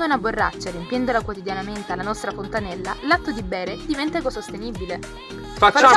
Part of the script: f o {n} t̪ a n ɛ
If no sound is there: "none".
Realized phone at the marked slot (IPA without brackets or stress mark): n